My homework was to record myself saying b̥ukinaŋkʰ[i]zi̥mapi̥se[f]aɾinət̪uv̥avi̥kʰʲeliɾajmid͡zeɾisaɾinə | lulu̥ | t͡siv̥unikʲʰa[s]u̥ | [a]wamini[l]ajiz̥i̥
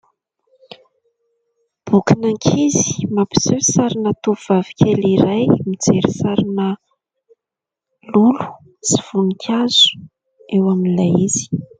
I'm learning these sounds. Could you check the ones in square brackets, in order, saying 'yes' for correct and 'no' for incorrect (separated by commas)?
yes, no, no, no, yes